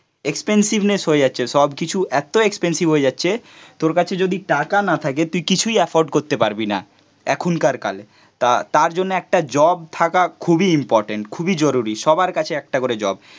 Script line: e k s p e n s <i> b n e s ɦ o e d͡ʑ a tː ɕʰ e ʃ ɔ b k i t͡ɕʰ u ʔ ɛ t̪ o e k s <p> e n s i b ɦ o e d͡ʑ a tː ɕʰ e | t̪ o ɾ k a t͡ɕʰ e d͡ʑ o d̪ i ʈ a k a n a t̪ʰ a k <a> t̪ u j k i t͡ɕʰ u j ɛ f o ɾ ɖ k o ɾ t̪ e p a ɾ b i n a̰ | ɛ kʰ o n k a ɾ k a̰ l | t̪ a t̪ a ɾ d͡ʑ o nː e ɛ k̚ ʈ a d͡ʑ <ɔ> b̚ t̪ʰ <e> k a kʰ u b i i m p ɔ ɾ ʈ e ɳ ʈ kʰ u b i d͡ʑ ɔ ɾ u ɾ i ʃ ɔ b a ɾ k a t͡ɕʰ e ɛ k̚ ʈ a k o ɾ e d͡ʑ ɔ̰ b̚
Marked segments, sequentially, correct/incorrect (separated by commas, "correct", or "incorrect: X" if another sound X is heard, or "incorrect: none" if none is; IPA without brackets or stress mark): correct, correct, incorrect: e, correct, incorrect: a